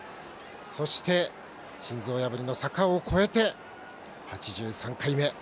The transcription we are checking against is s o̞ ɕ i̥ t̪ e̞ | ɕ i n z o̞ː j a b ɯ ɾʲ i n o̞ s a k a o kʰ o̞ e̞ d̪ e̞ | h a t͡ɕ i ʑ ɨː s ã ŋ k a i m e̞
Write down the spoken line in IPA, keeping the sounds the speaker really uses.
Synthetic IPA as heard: s o̞ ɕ i̥ t̪ e̞ | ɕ ĩ n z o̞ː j a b ɯ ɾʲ i n o̞ s a k a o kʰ o̞ e̞ t̪ e̞ | h a t͡ɕ i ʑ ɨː s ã ŋ k a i m e̞